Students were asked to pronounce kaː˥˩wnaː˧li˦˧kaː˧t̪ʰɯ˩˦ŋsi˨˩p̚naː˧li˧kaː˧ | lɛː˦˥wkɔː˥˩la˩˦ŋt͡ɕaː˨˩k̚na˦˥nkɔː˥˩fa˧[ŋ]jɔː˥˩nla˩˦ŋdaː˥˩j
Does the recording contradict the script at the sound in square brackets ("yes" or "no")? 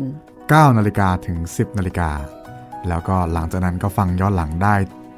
no